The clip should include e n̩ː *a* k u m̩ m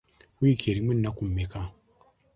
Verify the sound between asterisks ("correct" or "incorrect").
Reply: correct